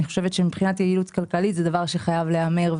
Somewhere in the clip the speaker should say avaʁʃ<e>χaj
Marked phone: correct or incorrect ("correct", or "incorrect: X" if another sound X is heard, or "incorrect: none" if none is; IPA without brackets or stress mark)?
correct